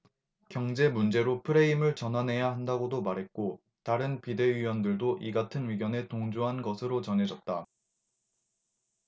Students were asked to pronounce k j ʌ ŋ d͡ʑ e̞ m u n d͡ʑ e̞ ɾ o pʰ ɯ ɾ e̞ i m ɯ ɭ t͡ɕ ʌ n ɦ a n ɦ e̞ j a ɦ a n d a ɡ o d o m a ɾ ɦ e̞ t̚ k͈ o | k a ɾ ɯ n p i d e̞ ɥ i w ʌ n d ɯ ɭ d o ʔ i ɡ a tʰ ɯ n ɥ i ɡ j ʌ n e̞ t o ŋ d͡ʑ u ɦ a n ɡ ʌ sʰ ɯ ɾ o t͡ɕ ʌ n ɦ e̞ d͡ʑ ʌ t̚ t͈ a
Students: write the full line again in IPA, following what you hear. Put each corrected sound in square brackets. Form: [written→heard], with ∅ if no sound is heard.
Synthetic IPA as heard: k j ʌ ŋ d͡ʑ e̞ m u n d͡ʑ e̞ ɾ o pʰ ɯ ɾ e̞ i m ɯ ɭ t͡ɕ ʌ n ɦ a n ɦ e̞ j a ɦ a n d a ɡ o d o m a ɾ ɦ e̞ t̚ k͈ o | [k→t] a ɾ ɯ n p i d e̞ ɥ i w ʌ n d ɯ ɭ d o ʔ i ɡ a tʰ ɯ n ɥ i ɡ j ʌ n e̞ t o ŋ d͡ʑ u ɦ a n ɡ ʌ sʰ ɯ ɾ o t͡ɕ ʌ n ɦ e̞ d͡ʑ ʌ t̚ t͈ a

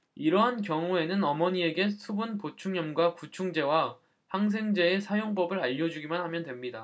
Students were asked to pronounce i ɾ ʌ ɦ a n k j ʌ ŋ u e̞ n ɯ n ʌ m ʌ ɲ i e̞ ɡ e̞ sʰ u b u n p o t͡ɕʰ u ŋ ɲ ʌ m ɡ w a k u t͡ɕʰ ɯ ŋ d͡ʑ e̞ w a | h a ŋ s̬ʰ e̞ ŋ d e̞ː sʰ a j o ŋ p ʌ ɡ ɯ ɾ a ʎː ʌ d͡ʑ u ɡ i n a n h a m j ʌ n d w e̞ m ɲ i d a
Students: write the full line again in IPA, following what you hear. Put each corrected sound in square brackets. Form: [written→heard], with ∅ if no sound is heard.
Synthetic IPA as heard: i ɾ ʌ ɦ a n k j ʌ ŋ u e̞ n ɯ n ʌ m ʌ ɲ i e̞ ɡ e̞ sʰ u b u n p o t͡ɕʰ u ŋ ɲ ʌ m ɡ w a k u t͡ɕʰ [ɯ→u] ŋ d͡ʑ e̞ w a | h a ŋ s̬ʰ e̞ ŋ [d→d͡ʑ] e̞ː sʰ a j o ŋ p ʌ [ɡ→b] ɯ ɾ a ʎː ʌ d͡ʑ u ɡ i [n→m] a n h a m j ʌ n d w e̞ m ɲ i d a

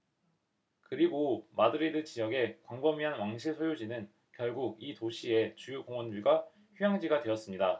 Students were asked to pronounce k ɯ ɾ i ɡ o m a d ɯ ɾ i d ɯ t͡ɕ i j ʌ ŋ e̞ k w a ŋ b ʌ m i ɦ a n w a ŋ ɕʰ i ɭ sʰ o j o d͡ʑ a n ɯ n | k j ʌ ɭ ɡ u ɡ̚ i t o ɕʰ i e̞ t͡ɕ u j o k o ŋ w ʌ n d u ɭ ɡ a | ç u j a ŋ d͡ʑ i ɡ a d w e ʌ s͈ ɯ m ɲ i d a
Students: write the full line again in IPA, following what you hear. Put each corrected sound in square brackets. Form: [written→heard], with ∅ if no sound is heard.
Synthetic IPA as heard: k ɯ ɾ i ɡ o m a d ɯ ɾ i d ɯ t͡ɕ i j ʌ [ŋ→ɡ] e̞ k w a ŋ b ʌ m i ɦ a n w a ŋ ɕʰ i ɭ sʰ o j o d͡ʑ [a→i] n ɯ n | k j ʌ ɭ ɡ u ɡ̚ i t o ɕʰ i e̞ t͡ɕ u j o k o ŋ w ʌ n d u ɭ ɡ a | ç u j a ŋ d͡ʑ i ɡ a d w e ʌ s͈ ɯ m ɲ i d a

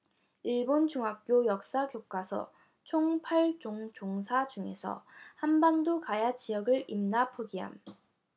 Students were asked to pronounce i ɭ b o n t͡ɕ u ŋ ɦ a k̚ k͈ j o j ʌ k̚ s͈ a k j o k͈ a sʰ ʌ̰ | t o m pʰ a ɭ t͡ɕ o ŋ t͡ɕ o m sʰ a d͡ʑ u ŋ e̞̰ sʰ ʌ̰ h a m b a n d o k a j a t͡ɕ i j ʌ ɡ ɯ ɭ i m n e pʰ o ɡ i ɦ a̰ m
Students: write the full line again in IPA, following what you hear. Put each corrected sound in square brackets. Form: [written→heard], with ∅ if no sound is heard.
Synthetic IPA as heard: i ɭ b o n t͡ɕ u ŋ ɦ a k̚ k͈ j o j ʌ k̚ s͈ a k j o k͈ a sʰ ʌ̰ | [t→t͡ɕʰ] o [m→ŋ] pʰ a ɭ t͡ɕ o ŋ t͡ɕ o [m→ŋ] sʰ a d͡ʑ u ŋ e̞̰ sʰ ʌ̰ h a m b a n d o k a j a t͡ɕ i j ʌ ɡ ɯ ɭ i m n [e→a] pʰ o ɡ i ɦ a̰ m

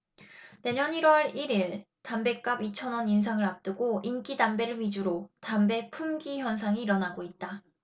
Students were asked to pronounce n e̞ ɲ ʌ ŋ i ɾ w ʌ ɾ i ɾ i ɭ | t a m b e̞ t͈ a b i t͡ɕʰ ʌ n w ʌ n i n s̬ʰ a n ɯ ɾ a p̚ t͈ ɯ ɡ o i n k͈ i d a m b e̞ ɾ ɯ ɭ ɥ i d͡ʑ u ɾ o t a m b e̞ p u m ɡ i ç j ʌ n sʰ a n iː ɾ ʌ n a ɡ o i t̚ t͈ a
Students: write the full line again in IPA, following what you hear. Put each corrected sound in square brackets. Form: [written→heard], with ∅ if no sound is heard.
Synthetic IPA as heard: n e̞ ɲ ʌ [ŋ→n] i ɾ w ʌ ɾ i ɾ i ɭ | t a m b e̞ [t͈→k͈] a b i t͡ɕʰ ʌ n w ʌ n i n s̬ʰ a [n→ŋ] ɯ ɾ a p̚ t͈ ɯ ɡ o i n k͈ i d a m b e̞ ɾ ɯ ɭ ɥ i d͡ʑ u ɾ o t a m b e̞ [p→pʰ] u m ɡ i ç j ʌ n sʰ a [n→ŋ] iː ɾ ʌ n a ɡ o i t̚ t͈ a

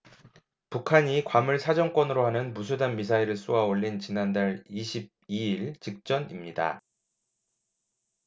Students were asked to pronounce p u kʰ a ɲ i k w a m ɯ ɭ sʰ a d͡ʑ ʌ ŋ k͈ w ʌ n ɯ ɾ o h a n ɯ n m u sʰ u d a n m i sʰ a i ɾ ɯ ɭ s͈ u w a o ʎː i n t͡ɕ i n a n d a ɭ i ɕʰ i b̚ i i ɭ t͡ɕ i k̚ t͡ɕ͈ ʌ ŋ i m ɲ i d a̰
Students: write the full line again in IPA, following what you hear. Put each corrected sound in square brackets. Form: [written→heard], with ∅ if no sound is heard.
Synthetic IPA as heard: p u kʰ a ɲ i k w a m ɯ ɭ sʰ a d͡ʑ ʌ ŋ k͈ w ʌ n ɯ ɾ o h a n ɯ n m u sʰ u d a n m i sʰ a i ɾ ɯ ɭ s͈ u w a o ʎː i n t͡ɕ i n a n d a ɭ i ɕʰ i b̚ i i ɭ t͡ɕ i k̚ t͡ɕ͈ ʌ [ŋ→n] i m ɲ i d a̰

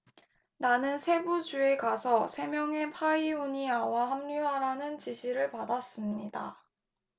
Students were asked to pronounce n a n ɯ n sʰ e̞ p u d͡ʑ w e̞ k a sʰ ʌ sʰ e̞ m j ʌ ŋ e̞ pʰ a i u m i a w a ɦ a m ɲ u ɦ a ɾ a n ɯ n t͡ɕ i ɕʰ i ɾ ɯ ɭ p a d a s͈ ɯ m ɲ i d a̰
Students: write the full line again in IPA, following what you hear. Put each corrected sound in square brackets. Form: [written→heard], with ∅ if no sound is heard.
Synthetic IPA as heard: n a n ɯ n sʰ e̞ [p→b] u d͡ʑ [w→u] e̞ k a sʰ ʌ sʰ e̞ m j ʌ ŋ e̞ pʰ a i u [m→ɲ] i a w a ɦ a m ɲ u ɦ a ɾ a n ɯ n t͡ɕ i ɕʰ i ɾ ɯ ɭ p a d a s͈ ɯ m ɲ i d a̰

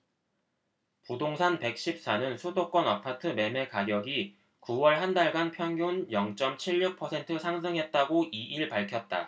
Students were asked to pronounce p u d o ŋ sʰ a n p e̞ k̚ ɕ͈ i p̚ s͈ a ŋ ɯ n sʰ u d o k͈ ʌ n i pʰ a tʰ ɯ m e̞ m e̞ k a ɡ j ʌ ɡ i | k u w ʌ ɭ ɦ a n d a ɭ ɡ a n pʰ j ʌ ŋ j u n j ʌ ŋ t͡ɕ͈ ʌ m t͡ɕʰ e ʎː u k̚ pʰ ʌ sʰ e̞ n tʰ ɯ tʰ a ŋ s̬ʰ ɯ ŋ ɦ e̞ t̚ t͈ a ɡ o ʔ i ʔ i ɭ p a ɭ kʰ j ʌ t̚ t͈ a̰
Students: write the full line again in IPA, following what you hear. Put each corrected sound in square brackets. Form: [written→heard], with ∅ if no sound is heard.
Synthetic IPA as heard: p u d o ŋ sʰ a n p e̞ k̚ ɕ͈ i p̚ s͈ a [ŋ→n] ɯ n sʰ u d o k͈ ʌ n [i→a] pʰ a tʰ ɯ m e̞ m e̞ k a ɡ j ʌ ɡ i | k u w ʌ ɭ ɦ a n d a ɭ ɡ a n pʰ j ʌ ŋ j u n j ʌ ŋ t͡ɕ͈ ʌ m t͡ɕʰ [e→i] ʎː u k̚ pʰ ʌ sʰ e̞ n tʰ ɯ [tʰ→sʰ] a ŋ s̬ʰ ɯ ŋ ɦ e̞ t̚ t͈ a ɡ o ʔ i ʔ i ɭ p a ɭ kʰ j ʌ t̚ t͈ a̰

